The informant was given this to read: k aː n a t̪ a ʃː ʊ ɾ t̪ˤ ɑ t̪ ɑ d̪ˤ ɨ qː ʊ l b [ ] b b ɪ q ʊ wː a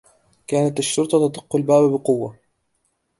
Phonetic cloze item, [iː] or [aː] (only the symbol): aː